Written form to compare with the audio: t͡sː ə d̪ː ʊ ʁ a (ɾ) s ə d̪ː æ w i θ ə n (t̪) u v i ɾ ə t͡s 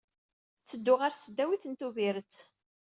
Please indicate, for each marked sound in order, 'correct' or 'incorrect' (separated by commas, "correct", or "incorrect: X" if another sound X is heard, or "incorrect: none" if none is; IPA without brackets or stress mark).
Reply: correct, correct